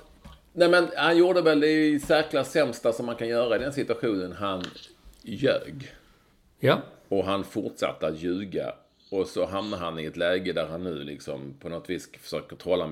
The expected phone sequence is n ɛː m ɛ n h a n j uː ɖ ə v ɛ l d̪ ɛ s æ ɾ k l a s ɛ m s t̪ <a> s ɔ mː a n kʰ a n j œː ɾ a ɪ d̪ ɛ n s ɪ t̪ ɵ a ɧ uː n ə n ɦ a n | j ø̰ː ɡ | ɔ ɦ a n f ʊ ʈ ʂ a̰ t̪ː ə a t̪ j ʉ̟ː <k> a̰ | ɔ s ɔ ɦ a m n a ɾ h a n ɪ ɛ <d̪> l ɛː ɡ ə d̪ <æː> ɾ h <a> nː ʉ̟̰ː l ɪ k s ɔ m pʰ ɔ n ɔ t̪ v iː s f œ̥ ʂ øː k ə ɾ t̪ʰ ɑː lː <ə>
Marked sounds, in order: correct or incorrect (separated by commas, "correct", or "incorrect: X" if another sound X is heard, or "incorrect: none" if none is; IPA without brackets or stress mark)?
correct, incorrect: ɡ, incorrect: t̪, incorrect: æ, correct, incorrect: a